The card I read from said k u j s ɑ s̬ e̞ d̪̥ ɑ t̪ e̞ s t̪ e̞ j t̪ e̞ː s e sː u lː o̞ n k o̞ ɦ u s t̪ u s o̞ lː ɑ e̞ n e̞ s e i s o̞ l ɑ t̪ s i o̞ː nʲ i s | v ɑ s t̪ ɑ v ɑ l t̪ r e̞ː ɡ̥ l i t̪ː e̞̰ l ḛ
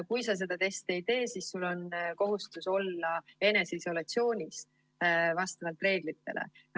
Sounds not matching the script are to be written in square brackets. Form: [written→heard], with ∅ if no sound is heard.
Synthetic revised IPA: k u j s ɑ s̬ e̞ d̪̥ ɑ t̪ e̞ s t̪ e̞ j t̪ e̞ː s [e→i] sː u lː o̞ n k o̞ ɦ u s t̪ u s o̞ lː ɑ e̞ n e̞ s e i s o̞ l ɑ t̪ s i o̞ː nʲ i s | v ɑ s t̪ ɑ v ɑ l t̪ r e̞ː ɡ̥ l i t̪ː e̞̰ l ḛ